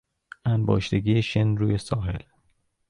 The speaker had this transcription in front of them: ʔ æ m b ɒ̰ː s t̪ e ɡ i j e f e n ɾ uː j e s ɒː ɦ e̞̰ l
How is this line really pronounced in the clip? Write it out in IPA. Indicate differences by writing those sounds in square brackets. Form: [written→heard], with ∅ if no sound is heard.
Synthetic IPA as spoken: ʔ æ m b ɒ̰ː [s→ʃ] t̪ e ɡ i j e [f→ʃ] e n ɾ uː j e s ɒː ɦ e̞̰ l